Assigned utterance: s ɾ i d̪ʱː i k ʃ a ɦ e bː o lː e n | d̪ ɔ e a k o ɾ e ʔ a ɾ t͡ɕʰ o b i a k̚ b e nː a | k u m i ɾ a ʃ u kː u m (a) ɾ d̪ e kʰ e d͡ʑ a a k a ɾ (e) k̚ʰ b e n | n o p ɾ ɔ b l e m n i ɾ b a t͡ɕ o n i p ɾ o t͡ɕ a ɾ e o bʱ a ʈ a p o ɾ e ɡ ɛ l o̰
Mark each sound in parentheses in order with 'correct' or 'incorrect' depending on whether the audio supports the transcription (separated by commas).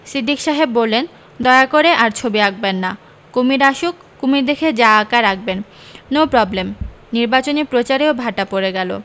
incorrect, incorrect